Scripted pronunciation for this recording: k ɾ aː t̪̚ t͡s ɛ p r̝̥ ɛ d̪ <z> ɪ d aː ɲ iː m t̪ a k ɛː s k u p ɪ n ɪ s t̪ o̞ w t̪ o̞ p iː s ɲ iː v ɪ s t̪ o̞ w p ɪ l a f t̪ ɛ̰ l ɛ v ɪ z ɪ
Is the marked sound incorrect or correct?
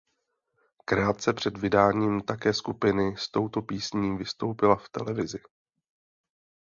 incorrect